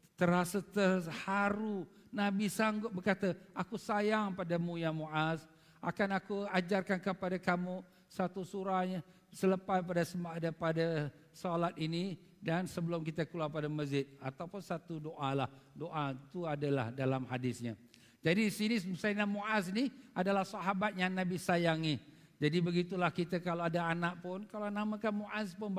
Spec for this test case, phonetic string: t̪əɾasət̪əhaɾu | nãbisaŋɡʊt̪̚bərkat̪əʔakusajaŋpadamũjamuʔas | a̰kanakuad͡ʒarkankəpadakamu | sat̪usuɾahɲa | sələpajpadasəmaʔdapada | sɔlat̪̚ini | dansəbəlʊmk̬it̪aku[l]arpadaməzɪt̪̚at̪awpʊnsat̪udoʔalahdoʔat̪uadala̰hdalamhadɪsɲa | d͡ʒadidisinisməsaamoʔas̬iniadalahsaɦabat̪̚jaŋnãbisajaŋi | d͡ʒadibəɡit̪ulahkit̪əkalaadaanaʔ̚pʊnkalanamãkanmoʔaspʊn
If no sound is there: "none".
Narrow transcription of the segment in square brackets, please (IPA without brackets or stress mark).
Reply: l